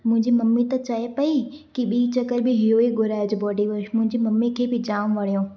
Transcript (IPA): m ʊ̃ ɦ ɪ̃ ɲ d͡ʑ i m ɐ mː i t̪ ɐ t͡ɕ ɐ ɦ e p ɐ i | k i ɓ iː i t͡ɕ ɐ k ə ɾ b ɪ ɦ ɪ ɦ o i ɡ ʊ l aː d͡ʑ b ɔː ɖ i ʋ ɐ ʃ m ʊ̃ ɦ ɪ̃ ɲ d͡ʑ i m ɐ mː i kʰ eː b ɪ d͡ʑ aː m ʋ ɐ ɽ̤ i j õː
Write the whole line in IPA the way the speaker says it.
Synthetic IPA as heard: m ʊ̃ ɦ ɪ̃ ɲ d͡ʑ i m ɐ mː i t̪ ɐ t͡ɕ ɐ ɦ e p ɐ i | k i ɓ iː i t͡ɕ ɐ k ə ɾ b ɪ ɦ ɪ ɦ o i ɡ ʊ ɾ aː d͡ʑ b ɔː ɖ i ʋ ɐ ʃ m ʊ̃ ɦ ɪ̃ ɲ d͡ʑ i m ɐ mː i kʰ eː b ɪ d͡ʑ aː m ʋ ɐ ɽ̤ i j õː